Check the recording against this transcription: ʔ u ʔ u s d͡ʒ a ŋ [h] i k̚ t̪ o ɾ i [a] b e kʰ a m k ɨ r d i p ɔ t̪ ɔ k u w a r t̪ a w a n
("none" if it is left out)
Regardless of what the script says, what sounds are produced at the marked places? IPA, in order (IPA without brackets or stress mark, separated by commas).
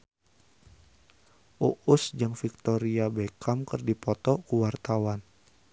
f, a